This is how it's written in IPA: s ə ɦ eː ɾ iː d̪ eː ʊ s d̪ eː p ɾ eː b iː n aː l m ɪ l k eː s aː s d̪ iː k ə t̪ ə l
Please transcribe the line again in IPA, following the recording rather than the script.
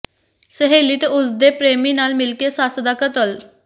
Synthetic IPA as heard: s ə ɦ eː l iː t̪ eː ʊ s d̪ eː p ɾ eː m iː n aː l m ɪ l k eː s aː s d̪ aː k ə t̪ ə l